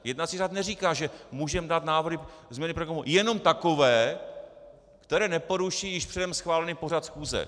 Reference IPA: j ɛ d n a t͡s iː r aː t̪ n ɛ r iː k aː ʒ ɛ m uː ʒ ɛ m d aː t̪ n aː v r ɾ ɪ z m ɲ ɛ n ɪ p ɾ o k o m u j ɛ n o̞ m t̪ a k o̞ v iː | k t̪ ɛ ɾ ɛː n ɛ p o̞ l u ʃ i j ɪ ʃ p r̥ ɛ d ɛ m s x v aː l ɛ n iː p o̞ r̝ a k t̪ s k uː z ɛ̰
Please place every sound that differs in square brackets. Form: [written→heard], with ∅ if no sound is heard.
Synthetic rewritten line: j ɛ d n a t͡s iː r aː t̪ n ɛ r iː k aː ʒ ɛ m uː ʒ ɛ m d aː t̪ n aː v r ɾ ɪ z m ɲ ɛ n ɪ p ɾ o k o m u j ɛ n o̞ m t̪ a k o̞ v [iː→ɛː] | k t̪ ɛ ɾ ɛː n ɛ p o̞ [l→ɾ] u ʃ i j ɪ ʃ p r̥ ɛ d ɛ m s x v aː l ɛ n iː p o̞ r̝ a [k→∅] t̪ s [k→x] uː z ɛ̰